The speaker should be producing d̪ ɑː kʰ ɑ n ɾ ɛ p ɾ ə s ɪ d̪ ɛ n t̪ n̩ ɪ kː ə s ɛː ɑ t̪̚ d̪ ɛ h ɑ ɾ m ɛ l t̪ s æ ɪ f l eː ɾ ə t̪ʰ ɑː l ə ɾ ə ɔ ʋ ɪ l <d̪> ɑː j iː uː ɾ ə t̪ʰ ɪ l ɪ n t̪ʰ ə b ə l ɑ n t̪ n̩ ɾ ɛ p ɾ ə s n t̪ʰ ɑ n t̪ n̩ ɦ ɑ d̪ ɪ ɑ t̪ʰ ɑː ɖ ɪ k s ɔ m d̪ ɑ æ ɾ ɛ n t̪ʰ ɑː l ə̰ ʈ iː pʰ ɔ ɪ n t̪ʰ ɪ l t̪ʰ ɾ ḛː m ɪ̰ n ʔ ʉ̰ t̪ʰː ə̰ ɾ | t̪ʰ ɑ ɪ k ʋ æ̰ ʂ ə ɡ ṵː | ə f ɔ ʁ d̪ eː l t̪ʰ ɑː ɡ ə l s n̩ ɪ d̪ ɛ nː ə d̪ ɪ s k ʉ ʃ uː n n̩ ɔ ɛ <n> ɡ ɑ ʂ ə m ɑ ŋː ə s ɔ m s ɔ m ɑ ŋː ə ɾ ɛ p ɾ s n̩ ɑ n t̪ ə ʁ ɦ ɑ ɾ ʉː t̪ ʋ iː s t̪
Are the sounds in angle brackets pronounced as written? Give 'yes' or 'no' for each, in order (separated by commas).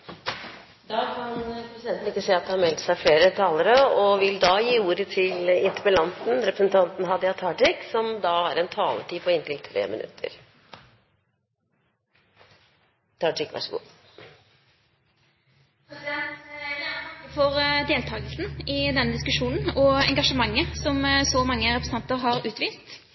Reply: yes, no